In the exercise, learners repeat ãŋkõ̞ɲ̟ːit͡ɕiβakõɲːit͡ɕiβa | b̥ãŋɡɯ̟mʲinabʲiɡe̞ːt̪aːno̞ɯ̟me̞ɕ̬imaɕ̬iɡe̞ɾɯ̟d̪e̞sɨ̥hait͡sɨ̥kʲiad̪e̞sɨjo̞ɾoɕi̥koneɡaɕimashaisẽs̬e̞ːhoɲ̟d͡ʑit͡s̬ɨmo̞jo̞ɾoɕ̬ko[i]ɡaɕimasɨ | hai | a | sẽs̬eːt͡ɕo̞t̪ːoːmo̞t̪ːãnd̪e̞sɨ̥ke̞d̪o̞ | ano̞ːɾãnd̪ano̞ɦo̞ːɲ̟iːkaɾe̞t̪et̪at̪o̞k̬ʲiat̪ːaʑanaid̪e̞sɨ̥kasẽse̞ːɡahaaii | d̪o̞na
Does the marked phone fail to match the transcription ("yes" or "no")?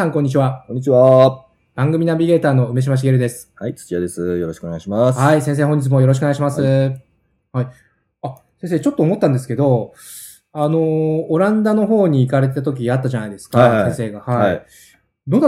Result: yes